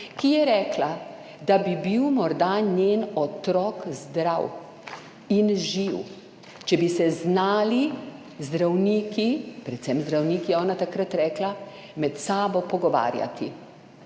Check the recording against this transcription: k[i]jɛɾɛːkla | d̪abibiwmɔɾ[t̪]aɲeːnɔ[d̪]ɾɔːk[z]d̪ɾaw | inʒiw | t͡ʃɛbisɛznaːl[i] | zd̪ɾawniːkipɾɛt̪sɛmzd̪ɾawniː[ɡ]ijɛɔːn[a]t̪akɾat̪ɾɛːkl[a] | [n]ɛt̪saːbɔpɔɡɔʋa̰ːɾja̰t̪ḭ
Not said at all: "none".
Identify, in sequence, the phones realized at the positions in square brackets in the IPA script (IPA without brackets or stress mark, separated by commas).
i, d̪, t̪, z, i, k, a, a, m